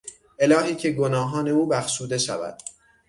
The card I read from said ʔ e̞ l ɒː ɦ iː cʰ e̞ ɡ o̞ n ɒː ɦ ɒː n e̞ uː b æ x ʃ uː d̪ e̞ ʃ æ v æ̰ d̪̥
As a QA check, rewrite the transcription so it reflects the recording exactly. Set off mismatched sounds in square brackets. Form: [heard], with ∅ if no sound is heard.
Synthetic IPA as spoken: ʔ e̞ l ɒː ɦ iː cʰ e̞ ɡ o̞ n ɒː ɦ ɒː n e̞ uː b æ x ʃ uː d̪ e̞ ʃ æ v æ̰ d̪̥